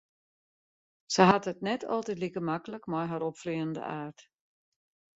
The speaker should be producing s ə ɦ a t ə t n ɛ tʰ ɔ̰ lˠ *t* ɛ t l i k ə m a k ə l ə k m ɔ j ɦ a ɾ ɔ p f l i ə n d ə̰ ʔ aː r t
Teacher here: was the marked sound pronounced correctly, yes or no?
yes